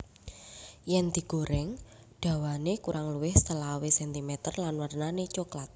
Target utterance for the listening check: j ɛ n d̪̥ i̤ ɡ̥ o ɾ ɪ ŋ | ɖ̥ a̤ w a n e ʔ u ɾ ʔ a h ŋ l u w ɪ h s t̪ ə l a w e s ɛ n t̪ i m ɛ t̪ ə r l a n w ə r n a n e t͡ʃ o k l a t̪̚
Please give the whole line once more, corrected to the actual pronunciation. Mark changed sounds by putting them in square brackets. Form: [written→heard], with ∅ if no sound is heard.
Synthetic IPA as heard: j ɛ n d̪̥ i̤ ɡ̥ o ɾ ɪ ŋ | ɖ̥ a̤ w a n e [ʔ→k] u ɾ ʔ a [h→∅] ŋ l u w ɪ h s t̪ ə l a w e s ɛ n t̪ i m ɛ t̪ ə r l a n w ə r n a n e t͡ʃ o k l a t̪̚

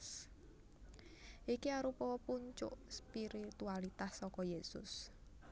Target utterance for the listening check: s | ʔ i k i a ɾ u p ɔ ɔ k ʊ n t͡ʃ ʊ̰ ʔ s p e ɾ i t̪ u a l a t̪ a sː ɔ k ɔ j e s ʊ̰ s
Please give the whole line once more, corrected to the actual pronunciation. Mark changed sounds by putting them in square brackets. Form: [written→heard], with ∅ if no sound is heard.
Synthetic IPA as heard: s | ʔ i k i a ɾ u p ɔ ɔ [k→p] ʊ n t͡ʃ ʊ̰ ʔ s p [e→i] ɾ i t̪ u a l [a→i] t̪ a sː ɔ k ɔ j e s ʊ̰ s

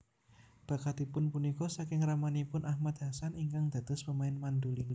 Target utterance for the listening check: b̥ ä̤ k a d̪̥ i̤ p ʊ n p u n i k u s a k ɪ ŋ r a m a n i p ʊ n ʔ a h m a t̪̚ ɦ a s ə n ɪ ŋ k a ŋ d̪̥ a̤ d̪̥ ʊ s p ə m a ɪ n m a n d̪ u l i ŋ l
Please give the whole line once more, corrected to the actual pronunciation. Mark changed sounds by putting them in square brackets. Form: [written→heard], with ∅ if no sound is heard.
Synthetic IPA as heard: b̥ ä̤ k a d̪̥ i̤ p ʊ n p u n i k [u→ɔ] s a k ɪ ŋ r a m a n i p ʊ n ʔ a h m a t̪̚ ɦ a s [ə→a] n [ɪ→i] ŋ k a ŋ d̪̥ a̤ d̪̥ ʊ s p ə m a ɪ n m a n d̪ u l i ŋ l

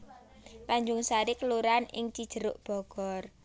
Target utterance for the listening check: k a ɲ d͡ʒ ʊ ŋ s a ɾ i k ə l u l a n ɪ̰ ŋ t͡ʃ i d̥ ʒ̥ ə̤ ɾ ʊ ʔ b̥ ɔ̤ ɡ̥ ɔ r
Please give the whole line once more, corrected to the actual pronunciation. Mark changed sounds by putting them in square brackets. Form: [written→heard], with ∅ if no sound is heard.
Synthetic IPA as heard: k a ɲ d͡ʒ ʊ ŋ s a ɾ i k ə l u [l→ɾ] a n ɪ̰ ŋ t͡ʃ i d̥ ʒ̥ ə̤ ɾ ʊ ʔ b̥ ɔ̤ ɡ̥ ɔ r

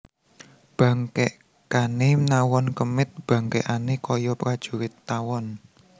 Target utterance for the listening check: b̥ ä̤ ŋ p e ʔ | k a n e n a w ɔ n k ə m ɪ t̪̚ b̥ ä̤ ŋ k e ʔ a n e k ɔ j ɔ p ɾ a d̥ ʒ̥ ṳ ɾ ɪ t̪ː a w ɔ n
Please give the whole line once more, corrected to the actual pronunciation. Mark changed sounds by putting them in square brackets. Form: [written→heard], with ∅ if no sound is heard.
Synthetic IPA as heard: b̥ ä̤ ŋ [p→k] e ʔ | k a n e n a w ɔ n k ə m ɪ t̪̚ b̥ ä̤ ŋ k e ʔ a n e k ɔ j ɔ p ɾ a d̥ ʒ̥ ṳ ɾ ɪ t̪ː a w ɔ n

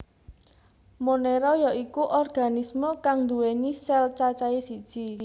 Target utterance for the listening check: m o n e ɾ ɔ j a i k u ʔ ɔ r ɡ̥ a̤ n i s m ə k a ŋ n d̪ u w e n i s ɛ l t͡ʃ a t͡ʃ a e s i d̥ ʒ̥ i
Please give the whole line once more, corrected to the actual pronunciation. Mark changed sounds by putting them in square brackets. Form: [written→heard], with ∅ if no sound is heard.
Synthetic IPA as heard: m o n e ɾ ɔ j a i k u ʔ ɔ r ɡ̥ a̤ n i s m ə k a ŋ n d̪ u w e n i s ɛ l t͡ʃ a t͡ʃ a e s i d̥ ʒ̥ i

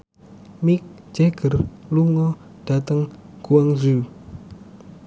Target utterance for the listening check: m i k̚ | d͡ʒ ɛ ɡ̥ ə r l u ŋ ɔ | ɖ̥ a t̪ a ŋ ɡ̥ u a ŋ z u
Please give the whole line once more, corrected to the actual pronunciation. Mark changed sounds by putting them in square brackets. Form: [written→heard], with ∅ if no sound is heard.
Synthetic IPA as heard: m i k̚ | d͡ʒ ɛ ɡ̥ ə r l u ŋ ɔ | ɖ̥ a t̪ [a→ə] ŋ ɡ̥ u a ŋ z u

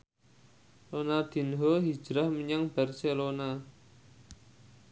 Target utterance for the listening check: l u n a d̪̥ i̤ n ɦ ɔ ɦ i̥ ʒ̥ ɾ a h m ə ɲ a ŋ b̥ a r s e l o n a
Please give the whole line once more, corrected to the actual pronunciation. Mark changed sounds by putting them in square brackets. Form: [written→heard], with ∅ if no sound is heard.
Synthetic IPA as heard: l [u→o] n a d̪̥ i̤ n ɦ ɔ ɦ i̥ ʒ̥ ɾ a h m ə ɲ a ŋ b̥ a r s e l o n a

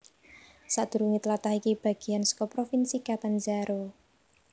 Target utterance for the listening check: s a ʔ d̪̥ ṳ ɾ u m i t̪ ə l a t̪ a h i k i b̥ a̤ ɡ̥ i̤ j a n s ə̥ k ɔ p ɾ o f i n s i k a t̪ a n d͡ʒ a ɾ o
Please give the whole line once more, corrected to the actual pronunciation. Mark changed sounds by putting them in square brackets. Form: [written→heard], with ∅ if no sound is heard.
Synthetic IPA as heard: s a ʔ d̪̥ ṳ ɾ u [m→ŋ] i t̪ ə l a t̪ a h i k i b̥ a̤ ɡ̥ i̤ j a n s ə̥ k ɔ p ɾ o f i n s i k a t̪ a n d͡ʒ a ɾ o

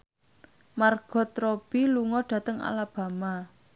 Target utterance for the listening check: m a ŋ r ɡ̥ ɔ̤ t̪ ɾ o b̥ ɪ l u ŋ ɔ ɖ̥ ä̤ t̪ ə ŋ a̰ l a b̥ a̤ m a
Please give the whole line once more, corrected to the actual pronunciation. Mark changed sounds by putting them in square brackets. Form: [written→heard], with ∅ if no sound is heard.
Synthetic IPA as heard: m a [ŋ→∅] r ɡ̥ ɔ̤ t̪ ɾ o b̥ [ɪ→i] l u ŋ ɔ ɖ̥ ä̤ t̪ ə ŋ a̰ l a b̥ a̤ m a

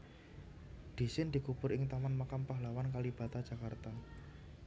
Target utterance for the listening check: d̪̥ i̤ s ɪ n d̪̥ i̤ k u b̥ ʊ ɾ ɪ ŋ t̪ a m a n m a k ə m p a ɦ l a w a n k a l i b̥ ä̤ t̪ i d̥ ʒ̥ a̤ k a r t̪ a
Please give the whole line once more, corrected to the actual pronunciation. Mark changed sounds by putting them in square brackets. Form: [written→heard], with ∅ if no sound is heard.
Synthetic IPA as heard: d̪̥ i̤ s ɪ n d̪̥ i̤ k u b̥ ʊ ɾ ɪ ŋ t̪ a m a n m a k [ə→a] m p a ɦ l a w a n k a l i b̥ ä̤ t̪ [i→a] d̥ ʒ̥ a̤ k a r t̪ a

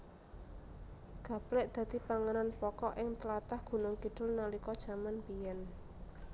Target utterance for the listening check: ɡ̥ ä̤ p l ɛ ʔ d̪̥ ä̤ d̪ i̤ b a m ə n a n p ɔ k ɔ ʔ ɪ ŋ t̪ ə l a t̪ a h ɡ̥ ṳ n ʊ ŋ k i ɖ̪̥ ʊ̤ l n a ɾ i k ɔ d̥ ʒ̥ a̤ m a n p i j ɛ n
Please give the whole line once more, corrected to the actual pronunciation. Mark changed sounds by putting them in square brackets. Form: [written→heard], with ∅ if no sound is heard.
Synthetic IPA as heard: ɡ̥ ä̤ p l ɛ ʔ d̪̥ ä̤ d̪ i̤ [b→p] a [m→ŋ] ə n a n p ɔ k ɔ ʔ ɪ ŋ t̪ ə l a t̪ a h ɡ̥ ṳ n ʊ ŋ k i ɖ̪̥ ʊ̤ l n a [ɾ→l] i k ɔ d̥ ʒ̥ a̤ m a n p i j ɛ n

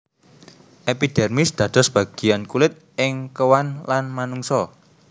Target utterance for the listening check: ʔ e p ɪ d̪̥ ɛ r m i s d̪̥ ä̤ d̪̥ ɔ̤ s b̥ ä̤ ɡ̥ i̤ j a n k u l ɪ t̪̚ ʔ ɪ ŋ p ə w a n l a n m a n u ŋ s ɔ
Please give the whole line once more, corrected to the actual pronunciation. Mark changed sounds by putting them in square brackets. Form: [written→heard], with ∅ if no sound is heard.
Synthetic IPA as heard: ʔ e p [ɪ→i] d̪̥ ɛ r m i s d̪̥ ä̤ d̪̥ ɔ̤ s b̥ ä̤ ɡ̥ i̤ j a n k u l ɪ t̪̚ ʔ ɪ ŋ [p→k] ə w a n l a n m a n u ŋ s ɔ

